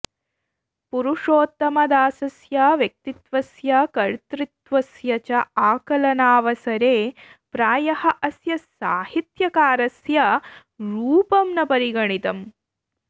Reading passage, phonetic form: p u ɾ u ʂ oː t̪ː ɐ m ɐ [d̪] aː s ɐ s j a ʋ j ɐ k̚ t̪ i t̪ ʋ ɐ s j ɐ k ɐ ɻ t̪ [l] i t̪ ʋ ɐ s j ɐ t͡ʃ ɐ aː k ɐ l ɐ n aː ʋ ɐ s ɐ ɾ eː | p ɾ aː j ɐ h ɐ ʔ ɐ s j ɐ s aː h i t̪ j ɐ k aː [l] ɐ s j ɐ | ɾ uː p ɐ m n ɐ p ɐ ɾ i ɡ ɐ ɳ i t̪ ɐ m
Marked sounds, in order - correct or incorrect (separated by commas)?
correct, incorrect, incorrect